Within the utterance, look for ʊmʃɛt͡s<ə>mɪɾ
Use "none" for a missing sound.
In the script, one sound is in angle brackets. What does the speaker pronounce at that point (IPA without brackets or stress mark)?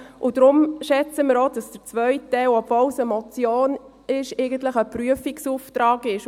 ə